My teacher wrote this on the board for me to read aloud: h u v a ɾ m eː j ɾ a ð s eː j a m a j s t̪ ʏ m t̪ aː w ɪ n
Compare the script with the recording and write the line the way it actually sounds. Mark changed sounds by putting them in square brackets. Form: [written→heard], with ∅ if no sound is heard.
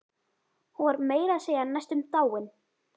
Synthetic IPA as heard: h u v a ɾ m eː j ɾ a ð s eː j a [m→n] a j s t̪ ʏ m t̪ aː w ɪ n

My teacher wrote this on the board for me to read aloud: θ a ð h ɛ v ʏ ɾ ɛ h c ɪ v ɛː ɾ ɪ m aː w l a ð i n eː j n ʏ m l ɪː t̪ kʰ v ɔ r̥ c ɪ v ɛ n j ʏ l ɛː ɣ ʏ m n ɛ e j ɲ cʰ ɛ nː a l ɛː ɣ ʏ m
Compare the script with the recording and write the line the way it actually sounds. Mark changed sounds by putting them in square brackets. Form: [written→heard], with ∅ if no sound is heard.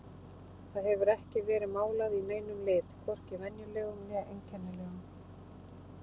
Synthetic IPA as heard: θ a ð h ɛ v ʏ ɾ ɛ h c ɪ v ɛː ɾ ɪ m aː w l a ð i n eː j n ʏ m l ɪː t̪ kʰ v ɔ r̥ c ɪ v ɛ n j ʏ l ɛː ɣ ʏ m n ɛ e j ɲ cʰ ɛ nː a l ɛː ɣ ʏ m

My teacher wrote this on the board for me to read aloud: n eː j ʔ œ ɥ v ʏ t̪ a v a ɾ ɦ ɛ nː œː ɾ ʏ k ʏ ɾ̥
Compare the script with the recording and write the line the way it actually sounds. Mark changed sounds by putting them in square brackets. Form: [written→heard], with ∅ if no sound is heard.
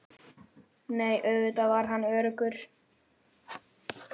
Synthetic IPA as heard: n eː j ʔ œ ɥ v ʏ t̪ a v a ɾ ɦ [ɛ→a] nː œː ɾ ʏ k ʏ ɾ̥

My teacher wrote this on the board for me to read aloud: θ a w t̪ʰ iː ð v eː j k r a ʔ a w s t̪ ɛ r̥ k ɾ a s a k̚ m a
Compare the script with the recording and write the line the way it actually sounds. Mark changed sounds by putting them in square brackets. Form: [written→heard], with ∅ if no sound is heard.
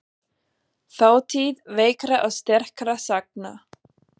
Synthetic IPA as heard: θ a w t̪ʰ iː ð v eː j k [r→ɾ] a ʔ a w s t̪ ɛ r̥ k ɾ a s a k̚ [m→n] a

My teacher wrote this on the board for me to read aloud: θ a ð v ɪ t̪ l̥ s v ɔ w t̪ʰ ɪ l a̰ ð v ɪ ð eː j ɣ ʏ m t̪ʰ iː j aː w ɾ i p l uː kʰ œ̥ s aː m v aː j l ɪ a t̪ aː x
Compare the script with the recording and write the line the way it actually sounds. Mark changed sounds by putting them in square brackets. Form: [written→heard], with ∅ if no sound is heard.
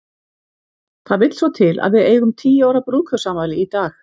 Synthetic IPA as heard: θ a ð v ɪ t̪ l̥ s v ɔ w t̪ʰ ɪ l a̰ ð v ɪ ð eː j ɣ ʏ m t̪ʰ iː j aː w ɾ [i→a] p [l→ɾ] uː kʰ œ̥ s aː m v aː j l ɪ [a→i] t̪ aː x

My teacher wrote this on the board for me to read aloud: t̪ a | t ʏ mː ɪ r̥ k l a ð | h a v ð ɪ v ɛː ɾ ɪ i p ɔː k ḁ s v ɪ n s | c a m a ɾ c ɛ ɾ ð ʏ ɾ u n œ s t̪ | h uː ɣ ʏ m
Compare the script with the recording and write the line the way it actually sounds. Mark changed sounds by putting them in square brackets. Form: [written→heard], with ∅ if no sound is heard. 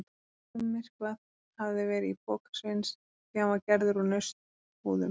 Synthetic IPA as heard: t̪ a | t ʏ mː ɪ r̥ k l a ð | h a v ð ɪ v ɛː ɾ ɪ i p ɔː k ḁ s v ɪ n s | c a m a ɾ c ɛ ɾ ð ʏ ɾ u n œ s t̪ | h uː [ɣ→ð] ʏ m

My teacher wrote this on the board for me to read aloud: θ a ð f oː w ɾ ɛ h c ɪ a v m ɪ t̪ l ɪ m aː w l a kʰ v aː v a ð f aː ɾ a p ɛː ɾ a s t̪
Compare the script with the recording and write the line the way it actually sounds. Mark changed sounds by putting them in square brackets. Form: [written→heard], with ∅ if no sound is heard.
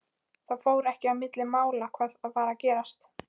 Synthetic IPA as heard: θ a ð f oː w ɾ ɛ h c ɪ a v m ɪ t̪ l ɪ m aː w l a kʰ v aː [v→ð] a ð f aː ɾ a [p→c] ɛː ɾ a s t̪

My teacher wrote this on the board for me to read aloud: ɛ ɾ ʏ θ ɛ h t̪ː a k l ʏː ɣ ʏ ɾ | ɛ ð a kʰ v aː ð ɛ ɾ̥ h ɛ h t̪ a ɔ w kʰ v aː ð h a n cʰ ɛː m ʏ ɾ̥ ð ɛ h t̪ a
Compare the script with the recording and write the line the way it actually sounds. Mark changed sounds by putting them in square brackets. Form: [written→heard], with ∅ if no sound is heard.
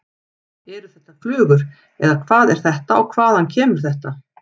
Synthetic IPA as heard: ɛ ɾ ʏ θ ɛ h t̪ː a k l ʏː ɣ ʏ ɾ | ɛ ð a kʰ v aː ð ɛ ɾ̥ [h→θ] ɛ h t̪ a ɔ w kʰ v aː ð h a n cʰ ɛː m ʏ ɾ̥ [ð→θ] ɛ h t̪ a

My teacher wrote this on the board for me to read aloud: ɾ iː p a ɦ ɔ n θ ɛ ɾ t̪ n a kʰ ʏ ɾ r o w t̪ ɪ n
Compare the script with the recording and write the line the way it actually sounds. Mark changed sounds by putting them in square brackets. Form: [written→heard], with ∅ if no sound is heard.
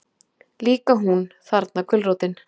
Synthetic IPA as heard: [ɾ→l] iː [p→k] a ɦ [ɔ→u] n θ [ɛ→a] ɾ t̪ n a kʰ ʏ [ɾ→l] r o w t̪ ɪ n

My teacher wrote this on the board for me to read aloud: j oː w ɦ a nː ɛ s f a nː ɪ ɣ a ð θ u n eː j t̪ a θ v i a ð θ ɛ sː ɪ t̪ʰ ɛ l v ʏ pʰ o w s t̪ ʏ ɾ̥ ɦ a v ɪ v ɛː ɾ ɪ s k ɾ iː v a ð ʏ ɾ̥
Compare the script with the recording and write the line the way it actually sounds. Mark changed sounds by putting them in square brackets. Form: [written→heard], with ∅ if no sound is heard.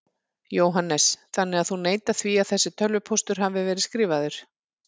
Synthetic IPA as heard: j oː w ɦ a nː ɛ s [f→θ] a nː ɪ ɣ a ð θ u n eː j t̪ a θ v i a ð θ ɛ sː ɪ t̪ʰ [ɛ→œ] l v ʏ pʰ o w s t̪ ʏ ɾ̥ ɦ a v ɪ v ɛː ɾ ɪ s k ɾ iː v a ð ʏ ɾ̥

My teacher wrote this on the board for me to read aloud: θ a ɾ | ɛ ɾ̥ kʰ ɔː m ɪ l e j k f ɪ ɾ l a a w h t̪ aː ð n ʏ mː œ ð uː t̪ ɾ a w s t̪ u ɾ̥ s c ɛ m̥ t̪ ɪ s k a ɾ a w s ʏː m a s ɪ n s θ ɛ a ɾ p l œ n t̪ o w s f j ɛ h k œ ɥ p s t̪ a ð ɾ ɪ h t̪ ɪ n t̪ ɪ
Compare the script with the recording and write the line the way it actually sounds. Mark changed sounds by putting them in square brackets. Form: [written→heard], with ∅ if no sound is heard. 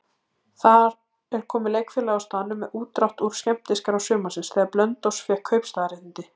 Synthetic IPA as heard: θ a ɾ | ɛ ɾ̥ kʰ ɔː m ɪ l e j k f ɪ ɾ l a a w [h→s] t̪ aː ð n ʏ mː [œ→ɛ] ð uː t̪ ɾ a w [s→h] t̪ u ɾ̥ s c ɛ m̥ t̪ ɪ s k a ɾ a w s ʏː m a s ɪ n s θ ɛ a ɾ p l œ n t̪ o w s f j ɛ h [k→kʰ] œ ɥ p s t̪ a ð ɾ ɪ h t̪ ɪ n t̪ ɪ

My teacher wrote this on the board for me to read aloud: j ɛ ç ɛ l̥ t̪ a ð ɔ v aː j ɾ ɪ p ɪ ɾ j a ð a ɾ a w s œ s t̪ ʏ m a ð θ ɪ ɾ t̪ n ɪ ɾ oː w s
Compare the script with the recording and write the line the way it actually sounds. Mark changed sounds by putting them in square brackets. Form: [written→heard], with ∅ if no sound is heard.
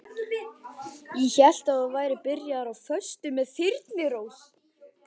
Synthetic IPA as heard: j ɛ ç ɛ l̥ t̪ a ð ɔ v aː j ɾ ɪ p ɪ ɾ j a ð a ɾ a w [s→f] œ s t̪ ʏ m [a→ɛ] ð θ ɪ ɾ t̪ n ɪ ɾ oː w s

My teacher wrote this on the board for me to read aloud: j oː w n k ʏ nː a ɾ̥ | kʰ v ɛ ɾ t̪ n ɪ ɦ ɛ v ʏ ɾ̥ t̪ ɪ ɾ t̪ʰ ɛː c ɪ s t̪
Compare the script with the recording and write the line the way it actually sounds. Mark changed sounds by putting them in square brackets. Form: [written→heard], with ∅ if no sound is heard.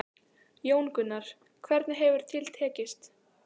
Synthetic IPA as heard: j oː w n k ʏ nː a ɾ̥ | kʰ v ɛ ɾ t̪ n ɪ ɦ ɛ v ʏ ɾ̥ [t̪→t̪ʰ] ɪ [ɾ→l] t̪ʰ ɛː c ɪ s t̪

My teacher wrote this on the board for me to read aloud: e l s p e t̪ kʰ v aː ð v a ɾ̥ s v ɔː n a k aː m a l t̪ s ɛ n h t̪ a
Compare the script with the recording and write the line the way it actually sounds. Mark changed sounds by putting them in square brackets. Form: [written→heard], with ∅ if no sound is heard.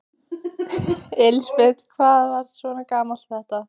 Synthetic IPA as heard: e l s p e t̪ kʰ v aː ð v a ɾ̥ s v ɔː n a k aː m a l t̪ [s→θ] ɛ [n→∅] h t̪ a

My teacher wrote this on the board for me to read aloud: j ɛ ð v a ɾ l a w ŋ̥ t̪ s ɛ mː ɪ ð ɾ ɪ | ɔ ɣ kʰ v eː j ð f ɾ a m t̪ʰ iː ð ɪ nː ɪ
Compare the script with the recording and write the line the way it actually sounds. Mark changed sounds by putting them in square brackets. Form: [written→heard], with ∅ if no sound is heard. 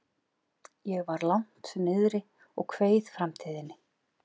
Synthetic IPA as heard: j ɛ [ð→ɣ] v a ɾ l a w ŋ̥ t̪ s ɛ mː ɪ ð ɾ ɪ | ɔ ɣ kʰ v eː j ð f ɾ a m t̪ʰ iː ð ɪ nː ɪ

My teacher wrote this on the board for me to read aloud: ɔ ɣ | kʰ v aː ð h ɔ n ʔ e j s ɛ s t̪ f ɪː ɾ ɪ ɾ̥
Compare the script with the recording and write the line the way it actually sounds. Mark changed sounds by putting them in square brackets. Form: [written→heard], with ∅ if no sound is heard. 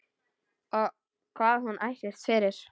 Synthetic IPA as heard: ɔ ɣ | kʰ v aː ð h [ɔ→u] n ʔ [e→a] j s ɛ s t̪ f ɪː ɾ ɪ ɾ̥

